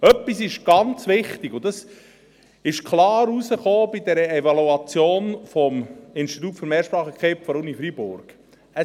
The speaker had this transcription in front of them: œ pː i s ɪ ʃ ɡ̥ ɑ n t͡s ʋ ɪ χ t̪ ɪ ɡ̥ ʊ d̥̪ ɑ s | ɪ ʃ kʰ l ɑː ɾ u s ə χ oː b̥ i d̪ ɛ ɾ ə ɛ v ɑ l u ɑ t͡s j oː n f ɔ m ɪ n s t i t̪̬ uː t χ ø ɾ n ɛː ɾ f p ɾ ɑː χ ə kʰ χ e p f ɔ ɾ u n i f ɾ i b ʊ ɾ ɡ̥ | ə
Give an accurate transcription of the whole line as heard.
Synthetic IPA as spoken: œ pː i s ɪ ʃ ɡ̥ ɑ n t͡s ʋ ɪ χ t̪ ɪ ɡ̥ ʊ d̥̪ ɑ s | ɪ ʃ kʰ l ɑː ɾ u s ə χ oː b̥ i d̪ ɛ ɾ ə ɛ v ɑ l u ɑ t͡s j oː n f ɔ m ɪ n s t i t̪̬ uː t f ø ɾ m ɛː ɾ ʃ p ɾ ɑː χ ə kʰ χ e p f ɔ ɾ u n i f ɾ i b ʊ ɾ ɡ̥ | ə